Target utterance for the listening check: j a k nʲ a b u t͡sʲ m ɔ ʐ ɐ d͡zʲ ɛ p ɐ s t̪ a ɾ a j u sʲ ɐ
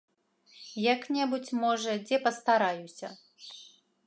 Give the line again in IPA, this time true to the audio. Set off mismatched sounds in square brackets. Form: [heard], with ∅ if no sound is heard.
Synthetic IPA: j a k nʲ [ɛ] b u t͡sʲ m ɔ ʐ ɐ d͡zʲ ɛ p ɐ s t̪ a ɾ a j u sʲ ɐ